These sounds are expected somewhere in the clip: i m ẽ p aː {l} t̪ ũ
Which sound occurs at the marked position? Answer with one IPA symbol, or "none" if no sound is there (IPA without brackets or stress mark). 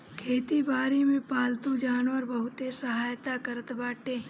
l